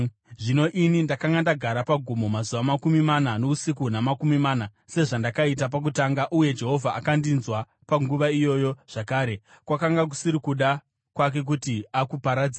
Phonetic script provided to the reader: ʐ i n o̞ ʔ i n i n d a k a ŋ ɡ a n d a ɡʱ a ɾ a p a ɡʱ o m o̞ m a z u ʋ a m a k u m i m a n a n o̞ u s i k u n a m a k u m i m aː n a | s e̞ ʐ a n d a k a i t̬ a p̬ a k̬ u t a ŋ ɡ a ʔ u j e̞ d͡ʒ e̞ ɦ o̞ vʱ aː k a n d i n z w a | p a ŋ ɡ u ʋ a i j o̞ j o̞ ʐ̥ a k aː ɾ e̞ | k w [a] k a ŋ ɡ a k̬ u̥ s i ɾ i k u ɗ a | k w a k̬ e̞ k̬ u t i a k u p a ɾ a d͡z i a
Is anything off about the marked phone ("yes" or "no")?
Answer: no